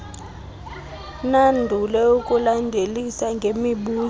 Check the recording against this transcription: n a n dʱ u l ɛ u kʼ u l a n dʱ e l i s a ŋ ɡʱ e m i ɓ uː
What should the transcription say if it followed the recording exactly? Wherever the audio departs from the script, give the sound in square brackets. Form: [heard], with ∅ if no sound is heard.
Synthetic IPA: n a n dʱ u l ɛ u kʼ u l a n dʱ e l i s a ŋ ɡʱ e m i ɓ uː

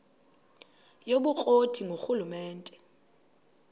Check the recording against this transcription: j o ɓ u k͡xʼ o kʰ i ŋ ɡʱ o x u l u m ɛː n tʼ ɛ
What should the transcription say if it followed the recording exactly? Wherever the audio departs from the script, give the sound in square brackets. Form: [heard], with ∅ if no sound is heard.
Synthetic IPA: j o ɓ u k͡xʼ o [tʰ] i ŋ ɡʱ o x u l u m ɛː n tʼ ɛ

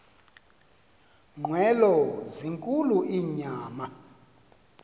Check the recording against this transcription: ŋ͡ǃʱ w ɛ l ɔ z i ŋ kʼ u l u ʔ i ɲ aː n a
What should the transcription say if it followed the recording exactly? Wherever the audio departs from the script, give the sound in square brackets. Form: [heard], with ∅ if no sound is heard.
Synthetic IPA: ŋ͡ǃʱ w ɛ l ɔ z i ŋ kʼ u l u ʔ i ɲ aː [m] a

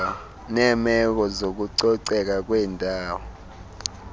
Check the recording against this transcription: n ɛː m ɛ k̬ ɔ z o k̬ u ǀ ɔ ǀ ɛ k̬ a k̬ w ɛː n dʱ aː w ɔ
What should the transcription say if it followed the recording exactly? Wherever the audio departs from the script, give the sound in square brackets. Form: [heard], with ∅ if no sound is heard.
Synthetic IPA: n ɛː m ɛ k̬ ɔ z o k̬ u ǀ ɔ ǀ ɛ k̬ a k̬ w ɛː n dʱ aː w ɔ

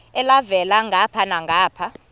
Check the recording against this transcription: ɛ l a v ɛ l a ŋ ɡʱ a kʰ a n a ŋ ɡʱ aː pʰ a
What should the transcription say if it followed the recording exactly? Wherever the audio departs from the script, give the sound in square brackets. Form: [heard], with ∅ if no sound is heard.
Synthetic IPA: ɛ l a v ɛ l a ŋ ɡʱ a [pʰ] a n a ŋ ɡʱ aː pʰ a

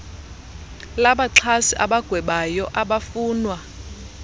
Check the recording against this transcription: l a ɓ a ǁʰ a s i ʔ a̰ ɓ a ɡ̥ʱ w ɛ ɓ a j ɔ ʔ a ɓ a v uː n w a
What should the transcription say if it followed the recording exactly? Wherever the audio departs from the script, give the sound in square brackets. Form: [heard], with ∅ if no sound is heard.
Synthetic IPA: l a ɓ a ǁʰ a s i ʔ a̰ ɓ a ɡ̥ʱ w ɛ ɓ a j ɔ ʔ a ɓ a [f] uː n w a

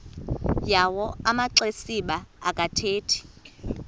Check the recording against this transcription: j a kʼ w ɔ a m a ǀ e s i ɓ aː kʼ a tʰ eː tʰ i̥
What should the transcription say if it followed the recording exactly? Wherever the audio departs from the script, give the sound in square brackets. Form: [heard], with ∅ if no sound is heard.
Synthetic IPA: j a [∅] w ɔ a m a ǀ e s i ɓ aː kʼ a tʰ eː tʰ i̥

